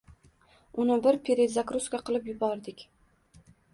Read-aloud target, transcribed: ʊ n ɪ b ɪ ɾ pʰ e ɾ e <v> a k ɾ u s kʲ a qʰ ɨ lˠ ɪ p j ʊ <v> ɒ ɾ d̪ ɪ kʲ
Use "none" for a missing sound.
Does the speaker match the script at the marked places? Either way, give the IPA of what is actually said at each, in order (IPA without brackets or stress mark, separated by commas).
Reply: z, b